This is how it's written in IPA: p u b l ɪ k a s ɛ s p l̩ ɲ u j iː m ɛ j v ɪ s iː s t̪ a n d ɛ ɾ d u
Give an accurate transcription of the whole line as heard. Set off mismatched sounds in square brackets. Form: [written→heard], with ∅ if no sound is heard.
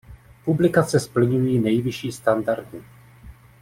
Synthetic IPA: p u b l ɪ k a [s→t͡s] ɛ s p l̩ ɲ u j iː [m→n] ɛ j v ɪ [s→ʃ] iː s t̪ a n d [ɛ→a] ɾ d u